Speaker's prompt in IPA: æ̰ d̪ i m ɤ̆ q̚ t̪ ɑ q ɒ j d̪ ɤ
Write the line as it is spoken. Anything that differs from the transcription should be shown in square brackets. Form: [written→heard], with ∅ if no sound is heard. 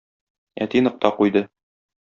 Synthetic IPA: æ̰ [d̪→t̪] i [m→n] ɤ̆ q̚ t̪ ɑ q [ɒ→u] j d̪ ɤ